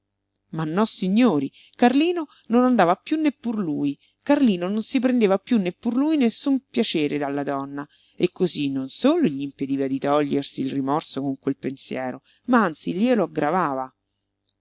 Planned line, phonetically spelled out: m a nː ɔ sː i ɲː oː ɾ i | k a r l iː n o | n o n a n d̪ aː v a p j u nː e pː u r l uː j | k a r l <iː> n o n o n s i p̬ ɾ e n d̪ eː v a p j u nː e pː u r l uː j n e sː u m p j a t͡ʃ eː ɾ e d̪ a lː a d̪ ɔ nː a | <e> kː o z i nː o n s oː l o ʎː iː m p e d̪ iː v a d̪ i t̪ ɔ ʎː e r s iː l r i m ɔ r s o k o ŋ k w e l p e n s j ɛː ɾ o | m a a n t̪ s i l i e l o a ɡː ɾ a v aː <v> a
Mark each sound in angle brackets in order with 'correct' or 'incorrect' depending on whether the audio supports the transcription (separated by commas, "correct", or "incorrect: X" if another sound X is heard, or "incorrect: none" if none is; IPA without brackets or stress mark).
correct, correct, correct